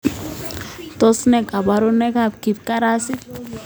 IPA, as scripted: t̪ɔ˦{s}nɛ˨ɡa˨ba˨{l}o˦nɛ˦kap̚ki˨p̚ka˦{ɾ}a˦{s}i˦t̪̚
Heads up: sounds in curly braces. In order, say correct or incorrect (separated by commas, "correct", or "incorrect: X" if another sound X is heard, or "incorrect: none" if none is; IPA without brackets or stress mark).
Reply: correct, incorrect: ɾ, correct, correct